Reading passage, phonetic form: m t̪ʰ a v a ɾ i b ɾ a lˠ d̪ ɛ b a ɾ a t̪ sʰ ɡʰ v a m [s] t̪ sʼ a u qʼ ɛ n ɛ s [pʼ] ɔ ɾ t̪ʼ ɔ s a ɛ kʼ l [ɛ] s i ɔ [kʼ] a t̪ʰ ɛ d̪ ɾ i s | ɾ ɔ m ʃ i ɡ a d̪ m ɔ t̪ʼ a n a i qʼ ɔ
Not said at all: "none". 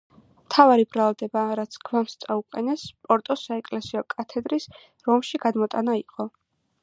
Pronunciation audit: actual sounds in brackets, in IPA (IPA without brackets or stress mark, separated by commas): s, pʼ, ɛ, kʼ